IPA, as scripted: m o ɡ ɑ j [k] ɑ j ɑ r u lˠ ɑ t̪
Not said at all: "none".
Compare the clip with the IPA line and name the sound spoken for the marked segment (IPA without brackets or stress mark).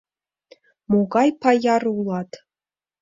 p